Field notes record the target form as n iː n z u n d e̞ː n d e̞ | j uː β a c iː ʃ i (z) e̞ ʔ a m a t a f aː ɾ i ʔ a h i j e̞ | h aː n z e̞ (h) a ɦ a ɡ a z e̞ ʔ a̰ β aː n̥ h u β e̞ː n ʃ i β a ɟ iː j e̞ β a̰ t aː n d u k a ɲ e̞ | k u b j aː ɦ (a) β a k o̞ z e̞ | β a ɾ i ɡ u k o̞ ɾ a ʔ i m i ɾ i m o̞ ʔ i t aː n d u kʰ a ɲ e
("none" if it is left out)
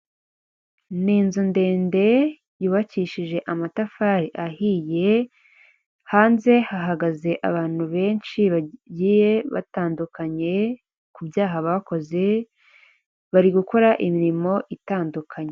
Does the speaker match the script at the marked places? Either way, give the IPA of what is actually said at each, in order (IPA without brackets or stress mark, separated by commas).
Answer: ʒ, h, a